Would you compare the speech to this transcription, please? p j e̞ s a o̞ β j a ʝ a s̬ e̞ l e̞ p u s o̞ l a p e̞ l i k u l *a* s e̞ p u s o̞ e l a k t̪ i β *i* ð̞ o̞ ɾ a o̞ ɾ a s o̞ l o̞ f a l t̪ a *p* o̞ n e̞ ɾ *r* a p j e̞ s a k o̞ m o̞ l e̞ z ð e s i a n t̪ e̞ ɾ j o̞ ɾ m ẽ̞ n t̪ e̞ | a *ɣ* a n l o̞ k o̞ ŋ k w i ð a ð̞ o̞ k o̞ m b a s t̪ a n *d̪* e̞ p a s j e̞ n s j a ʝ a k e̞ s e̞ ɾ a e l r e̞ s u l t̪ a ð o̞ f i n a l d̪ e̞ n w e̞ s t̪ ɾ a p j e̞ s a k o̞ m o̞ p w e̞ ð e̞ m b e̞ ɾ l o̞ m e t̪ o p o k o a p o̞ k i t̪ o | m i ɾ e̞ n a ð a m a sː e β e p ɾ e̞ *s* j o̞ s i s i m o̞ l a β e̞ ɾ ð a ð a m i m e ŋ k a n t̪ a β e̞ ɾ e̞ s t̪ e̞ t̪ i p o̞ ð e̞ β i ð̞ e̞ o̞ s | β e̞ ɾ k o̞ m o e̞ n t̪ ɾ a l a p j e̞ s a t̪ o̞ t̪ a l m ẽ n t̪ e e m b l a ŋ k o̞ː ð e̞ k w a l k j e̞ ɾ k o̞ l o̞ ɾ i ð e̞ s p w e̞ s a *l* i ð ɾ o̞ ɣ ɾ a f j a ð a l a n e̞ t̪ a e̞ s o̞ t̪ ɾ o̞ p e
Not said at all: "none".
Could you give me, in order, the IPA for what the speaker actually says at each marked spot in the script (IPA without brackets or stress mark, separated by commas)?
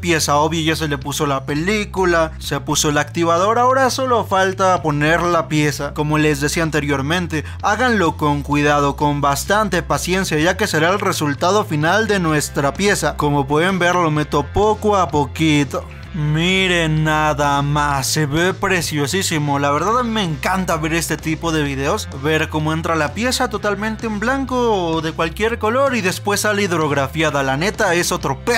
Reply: a, a, p, l, ɣ, t̪, s, l